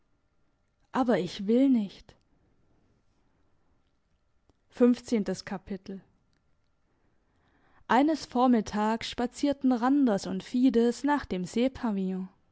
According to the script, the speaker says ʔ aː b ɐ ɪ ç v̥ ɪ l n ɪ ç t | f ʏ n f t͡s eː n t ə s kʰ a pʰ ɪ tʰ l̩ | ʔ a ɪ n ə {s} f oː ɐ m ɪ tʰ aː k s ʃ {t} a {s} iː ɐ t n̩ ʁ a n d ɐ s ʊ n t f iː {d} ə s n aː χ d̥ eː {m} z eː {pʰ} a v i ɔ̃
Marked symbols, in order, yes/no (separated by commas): yes, no, no, yes, yes, yes